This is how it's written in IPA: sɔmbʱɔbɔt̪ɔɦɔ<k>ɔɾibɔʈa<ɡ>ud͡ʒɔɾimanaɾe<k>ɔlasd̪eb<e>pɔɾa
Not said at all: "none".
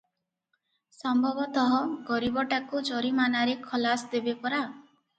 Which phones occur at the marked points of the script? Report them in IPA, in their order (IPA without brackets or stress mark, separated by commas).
ɡ, k, kʰ, e